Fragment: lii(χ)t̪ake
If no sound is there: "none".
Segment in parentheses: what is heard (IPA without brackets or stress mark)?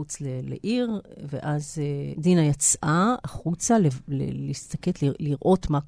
s